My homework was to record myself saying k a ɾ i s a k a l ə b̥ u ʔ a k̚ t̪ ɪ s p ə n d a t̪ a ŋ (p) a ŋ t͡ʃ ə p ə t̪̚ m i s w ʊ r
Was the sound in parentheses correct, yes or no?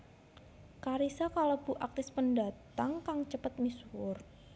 no